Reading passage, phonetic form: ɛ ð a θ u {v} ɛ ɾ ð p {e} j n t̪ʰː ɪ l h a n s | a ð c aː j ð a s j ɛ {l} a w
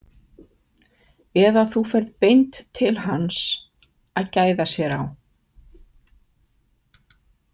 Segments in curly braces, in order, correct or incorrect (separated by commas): incorrect, correct, incorrect